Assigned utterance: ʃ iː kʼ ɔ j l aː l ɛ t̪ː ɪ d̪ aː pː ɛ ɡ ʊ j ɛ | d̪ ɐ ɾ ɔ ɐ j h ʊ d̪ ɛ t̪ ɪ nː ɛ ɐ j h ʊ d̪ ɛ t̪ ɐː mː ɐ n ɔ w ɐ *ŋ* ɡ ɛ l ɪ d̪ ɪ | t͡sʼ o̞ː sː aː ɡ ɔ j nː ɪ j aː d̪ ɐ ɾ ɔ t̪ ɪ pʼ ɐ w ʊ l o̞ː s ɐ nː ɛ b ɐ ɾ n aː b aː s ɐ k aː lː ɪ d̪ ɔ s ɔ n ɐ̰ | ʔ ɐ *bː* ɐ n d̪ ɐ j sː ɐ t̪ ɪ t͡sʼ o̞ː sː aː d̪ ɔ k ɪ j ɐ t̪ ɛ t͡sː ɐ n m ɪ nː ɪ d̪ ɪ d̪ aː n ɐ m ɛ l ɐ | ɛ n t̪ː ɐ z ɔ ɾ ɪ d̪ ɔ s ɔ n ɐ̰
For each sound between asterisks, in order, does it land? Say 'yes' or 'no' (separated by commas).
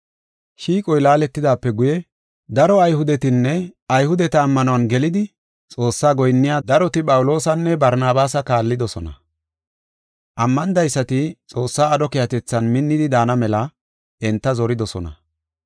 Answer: no, no